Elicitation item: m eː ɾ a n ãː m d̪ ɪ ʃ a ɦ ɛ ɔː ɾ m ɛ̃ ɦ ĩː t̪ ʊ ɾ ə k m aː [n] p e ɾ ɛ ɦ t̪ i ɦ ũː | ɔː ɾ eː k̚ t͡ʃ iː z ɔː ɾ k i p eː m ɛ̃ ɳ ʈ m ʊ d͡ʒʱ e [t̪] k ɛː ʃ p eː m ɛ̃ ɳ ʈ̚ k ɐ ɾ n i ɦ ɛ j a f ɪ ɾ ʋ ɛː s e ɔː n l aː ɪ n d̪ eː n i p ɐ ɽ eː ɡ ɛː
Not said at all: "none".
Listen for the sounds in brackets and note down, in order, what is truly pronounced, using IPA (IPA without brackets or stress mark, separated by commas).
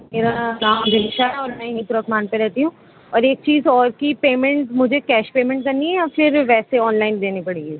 n, none